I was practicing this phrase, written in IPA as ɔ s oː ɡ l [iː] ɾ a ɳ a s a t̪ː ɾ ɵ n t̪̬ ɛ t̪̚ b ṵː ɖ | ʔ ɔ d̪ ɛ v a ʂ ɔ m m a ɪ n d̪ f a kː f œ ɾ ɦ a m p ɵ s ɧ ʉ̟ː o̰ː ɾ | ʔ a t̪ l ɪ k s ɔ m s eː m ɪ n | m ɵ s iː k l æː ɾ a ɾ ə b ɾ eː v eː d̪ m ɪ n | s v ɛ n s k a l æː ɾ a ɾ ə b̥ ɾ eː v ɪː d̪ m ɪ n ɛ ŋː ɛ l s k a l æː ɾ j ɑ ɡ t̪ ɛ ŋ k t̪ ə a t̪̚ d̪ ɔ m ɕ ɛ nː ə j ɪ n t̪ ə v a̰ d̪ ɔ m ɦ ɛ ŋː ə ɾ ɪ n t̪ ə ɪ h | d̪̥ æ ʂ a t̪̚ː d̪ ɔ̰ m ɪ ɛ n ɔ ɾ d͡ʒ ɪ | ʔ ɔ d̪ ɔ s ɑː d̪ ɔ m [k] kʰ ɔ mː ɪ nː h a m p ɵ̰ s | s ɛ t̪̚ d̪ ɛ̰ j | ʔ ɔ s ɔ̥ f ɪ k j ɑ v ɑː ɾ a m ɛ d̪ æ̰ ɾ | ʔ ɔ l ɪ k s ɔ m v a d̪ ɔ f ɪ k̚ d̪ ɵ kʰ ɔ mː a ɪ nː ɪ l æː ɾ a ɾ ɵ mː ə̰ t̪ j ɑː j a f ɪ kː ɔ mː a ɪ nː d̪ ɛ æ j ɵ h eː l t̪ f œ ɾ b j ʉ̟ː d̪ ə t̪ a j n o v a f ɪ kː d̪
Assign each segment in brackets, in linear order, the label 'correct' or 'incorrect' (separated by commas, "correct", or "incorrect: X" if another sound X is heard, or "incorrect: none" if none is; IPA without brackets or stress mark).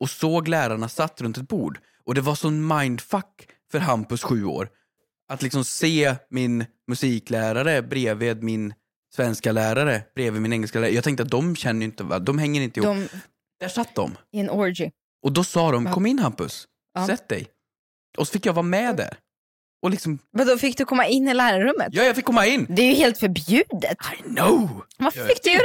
incorrect: æː, correct